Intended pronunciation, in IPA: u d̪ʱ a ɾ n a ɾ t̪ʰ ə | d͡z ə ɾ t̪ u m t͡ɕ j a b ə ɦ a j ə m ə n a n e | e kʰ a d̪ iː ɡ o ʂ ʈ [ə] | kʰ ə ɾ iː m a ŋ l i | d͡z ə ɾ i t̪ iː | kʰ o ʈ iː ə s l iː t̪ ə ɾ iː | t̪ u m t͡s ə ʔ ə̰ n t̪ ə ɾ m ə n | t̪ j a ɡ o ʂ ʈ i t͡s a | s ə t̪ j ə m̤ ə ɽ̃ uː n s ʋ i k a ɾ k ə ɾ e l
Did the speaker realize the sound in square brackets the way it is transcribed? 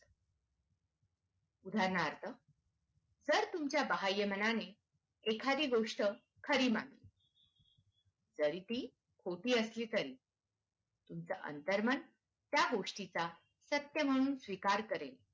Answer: yes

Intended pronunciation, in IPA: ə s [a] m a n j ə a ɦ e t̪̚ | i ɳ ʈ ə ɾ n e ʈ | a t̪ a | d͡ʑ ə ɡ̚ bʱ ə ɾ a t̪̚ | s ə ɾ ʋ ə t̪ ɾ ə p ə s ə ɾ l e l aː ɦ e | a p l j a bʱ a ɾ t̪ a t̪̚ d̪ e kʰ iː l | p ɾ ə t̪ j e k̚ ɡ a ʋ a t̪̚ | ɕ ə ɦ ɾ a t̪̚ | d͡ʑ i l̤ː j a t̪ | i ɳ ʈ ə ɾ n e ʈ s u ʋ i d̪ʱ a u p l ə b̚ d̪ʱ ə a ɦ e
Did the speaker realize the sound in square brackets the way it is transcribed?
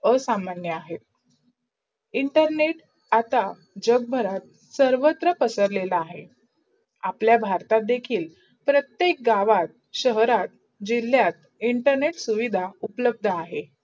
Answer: yes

